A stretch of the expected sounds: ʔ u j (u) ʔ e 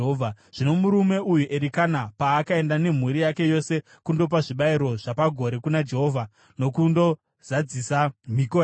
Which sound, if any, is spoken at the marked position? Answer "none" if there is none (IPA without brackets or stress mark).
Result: u